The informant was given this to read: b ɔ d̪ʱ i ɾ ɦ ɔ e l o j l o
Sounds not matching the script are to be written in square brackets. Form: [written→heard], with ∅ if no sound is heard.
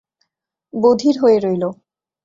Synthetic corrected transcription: b [ɔ→o] d̪ʱ i ɾ ɦ [ɔ→o] e [l→ɾ] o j l o

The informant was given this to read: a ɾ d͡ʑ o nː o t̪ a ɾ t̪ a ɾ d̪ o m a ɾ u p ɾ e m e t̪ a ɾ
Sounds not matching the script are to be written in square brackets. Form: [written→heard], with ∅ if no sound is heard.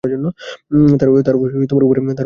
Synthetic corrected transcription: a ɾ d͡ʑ o nː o t̪ a ɾ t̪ a ɾ [d̪→t̪] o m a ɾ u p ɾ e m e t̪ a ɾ

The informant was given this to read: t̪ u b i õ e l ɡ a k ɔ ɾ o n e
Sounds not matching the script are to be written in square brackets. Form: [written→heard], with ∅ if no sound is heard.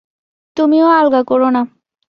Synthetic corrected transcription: t̪ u [b→m] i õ [e→a] l ɡ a k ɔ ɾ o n [e→a]

